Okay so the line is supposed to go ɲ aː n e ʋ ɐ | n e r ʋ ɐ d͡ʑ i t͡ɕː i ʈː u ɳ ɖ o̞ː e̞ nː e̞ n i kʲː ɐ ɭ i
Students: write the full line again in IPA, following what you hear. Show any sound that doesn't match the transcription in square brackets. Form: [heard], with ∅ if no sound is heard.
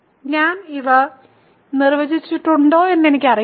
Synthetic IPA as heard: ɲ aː n [i] ʋ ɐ | n [i] r ʋ ɐ d͡ʑ i t͡ɕː i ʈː u ɳ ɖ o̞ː e̞ nː e̞ n i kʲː ɐ [r] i